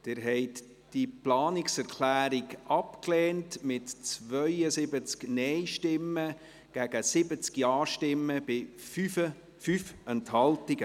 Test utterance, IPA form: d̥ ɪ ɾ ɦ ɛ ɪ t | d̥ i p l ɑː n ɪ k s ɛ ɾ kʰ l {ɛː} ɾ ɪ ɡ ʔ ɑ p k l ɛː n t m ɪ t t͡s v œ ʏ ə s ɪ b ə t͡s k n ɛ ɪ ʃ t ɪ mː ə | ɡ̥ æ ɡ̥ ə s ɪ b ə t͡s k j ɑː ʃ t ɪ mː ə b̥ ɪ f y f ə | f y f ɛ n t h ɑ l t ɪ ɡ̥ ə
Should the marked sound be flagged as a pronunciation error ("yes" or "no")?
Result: yes